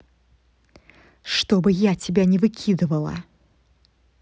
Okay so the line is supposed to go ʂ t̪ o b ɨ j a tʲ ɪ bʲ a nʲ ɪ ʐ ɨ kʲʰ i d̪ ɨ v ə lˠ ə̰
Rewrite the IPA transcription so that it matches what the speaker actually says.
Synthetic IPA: ʂ t̪ o b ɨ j a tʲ ɪ bʲ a nʲ ɪ v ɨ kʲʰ i d̪ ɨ v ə lˠ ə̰

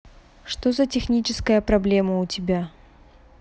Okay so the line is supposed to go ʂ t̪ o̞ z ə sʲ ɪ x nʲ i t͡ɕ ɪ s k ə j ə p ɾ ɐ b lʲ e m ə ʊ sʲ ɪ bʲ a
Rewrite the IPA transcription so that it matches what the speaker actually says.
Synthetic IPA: ʂ t̪ o̞ z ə tʲ ɪ x nʲ i t͡ɕ ɪ s k ə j ə p ɾ ɐ b lʲ e m ə ʊ tʲ ɪ bʲ a

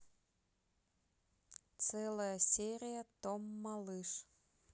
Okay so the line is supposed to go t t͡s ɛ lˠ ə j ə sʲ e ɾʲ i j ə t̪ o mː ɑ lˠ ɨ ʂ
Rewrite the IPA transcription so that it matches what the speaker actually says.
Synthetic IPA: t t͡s ɛ lˠ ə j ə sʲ e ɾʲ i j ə t̪ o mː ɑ lˠ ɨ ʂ

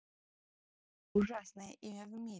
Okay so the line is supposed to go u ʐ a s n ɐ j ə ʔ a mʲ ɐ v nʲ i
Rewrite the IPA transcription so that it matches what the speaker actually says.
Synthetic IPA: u ʐ a s n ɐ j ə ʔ i mʲ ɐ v mʲ i

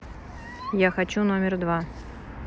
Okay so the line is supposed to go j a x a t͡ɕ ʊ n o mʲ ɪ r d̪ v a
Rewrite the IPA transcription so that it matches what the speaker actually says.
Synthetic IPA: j a x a t͡ɕ u n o mʲ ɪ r d̪ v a

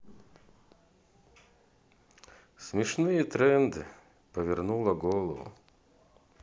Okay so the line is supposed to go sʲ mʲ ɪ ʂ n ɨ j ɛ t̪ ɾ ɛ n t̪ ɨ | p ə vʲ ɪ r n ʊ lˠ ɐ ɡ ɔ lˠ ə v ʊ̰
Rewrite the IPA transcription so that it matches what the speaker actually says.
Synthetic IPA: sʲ mʲ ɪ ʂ n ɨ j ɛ t̪ ɾ ɛ n d̪ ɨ | p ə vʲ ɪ r n u lˠ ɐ ɡ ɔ lˠ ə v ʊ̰

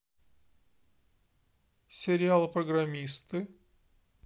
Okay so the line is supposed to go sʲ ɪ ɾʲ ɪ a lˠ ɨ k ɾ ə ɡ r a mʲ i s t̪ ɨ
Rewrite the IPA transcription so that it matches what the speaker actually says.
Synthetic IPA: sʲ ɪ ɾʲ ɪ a lˠ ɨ p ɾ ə ɡ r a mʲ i s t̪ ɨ

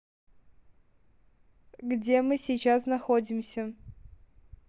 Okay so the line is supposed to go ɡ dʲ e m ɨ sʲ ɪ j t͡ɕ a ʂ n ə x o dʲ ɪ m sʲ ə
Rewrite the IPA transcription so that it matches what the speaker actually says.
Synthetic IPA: ɡ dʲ e m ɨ sʲ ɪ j t͡ɕ a s n ɐ x o dʲ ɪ m sʲ ə

